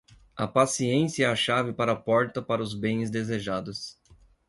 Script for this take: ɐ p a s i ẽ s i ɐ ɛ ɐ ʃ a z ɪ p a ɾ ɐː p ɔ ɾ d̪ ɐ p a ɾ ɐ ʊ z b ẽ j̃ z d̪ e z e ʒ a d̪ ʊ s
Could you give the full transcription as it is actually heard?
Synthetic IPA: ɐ p a s i ẽ s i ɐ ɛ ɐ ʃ a v ɪ p a ɾ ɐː p ɔ ɾ t̪ ɐ p a ɾ ɐ ʊ z b ẽ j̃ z d̪ e z e ʒ a d̪ ʊ s